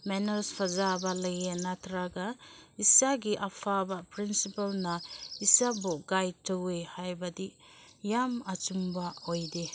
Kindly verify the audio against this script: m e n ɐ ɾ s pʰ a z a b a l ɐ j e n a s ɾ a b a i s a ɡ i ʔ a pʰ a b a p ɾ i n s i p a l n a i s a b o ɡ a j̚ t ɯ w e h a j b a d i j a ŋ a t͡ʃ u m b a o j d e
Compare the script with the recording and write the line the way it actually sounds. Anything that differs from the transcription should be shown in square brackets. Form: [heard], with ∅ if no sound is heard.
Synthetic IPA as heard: m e n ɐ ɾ s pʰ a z a b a l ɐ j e n a [t] ɾ a [ɡ] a i s a ɡ i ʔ a pʰ a b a p ɾ i n s i p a l n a i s a b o ɡ a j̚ t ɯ w e h a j b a d i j a [m] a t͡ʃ u m b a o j d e